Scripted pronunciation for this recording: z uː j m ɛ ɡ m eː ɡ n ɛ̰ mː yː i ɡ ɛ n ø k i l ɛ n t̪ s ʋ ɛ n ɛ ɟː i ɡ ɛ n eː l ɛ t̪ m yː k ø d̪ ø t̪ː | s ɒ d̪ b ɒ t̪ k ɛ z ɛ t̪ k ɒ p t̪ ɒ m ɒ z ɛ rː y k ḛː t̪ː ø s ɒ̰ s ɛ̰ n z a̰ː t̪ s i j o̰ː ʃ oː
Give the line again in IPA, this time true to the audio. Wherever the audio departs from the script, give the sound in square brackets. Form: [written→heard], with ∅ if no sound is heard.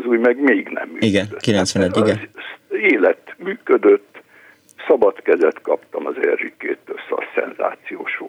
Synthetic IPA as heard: z uː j m ɛ ɡ m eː ɡ n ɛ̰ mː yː i ɡ ɛ n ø k i l ɛ n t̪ s ʋ ɛ n ɛ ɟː i ɡ ɛ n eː l ɛ t̪ m yː k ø d̪ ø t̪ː | s ɒ [d̪→∅] b ɒ t̪ k ɛ z ɛ t̪ k ɒ p t̪ ɒ m ɒ z ɛ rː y k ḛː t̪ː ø s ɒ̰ s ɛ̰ n z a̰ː t̪ s i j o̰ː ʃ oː